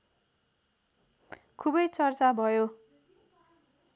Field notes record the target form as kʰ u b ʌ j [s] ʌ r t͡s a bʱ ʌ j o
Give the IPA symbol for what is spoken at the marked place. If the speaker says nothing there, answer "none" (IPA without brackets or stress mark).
t͡s